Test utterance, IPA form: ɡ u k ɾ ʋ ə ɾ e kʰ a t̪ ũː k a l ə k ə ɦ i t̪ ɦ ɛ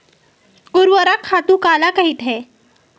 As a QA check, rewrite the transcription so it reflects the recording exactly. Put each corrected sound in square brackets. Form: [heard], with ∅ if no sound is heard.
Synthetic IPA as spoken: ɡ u [∅] ɾ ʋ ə ɾ [a] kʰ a t̪ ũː k a l [a] k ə ɦ i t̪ ɦ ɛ